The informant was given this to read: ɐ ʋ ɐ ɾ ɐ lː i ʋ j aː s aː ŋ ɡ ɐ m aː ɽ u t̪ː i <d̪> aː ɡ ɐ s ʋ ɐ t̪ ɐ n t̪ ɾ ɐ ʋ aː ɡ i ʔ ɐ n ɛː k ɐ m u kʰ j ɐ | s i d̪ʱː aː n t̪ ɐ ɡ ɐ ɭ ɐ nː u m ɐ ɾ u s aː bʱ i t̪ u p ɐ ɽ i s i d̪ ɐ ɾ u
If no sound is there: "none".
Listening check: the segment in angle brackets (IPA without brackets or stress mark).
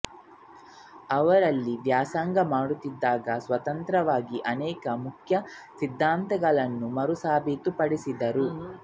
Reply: d̪ː